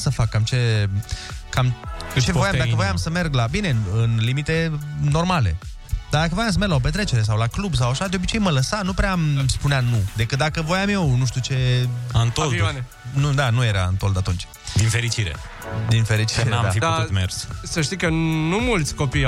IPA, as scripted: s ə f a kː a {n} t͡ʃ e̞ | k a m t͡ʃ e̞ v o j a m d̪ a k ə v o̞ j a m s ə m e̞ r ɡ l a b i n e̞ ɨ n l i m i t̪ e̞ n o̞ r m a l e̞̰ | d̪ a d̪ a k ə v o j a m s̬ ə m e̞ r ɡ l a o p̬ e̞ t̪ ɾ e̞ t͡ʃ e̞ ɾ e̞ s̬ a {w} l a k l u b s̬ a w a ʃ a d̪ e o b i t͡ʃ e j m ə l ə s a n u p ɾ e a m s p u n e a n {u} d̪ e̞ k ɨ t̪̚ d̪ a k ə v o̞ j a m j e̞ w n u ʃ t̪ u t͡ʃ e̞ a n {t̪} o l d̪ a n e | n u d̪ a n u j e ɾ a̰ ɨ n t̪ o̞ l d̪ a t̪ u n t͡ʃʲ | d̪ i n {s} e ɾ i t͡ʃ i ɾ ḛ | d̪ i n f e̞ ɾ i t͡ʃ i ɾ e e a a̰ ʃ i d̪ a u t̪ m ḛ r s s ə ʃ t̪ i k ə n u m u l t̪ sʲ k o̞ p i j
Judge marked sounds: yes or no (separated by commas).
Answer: no, yes, yes, yes, no